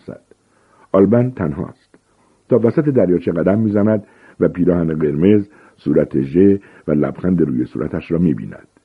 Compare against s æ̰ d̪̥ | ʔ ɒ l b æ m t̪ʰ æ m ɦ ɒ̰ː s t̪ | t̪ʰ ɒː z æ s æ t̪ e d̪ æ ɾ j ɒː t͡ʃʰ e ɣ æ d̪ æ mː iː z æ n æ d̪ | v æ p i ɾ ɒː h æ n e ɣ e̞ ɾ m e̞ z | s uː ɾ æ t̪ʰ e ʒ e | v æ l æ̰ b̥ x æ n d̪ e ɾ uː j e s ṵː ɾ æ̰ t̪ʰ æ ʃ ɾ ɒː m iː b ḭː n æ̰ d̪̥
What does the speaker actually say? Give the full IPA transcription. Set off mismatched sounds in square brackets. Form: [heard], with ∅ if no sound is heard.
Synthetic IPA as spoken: s æ̰ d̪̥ | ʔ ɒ l b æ [n] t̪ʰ æ [n] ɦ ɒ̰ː s t̪ | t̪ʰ ɒː [v] æ s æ t̪ e d̪ æ ɾ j ɒː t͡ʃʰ e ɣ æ d̪ æ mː iː z æ n æ d̪ | v æ p [iː] ɾ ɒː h æ n e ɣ e̞ ɾ m e̞ z | s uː ɾ æ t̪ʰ e ʒ e | v æ l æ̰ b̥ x æ n d̪ e ɾ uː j e s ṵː ɾ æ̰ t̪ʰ æ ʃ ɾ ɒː m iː b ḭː n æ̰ d̪̥